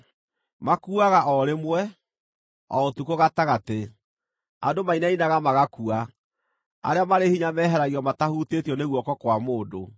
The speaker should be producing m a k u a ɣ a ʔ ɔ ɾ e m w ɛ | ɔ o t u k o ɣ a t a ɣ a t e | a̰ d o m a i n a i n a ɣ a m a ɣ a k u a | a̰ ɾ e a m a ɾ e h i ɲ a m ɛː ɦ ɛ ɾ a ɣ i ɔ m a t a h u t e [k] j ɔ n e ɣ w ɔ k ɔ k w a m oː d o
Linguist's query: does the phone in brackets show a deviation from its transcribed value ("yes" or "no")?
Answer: yes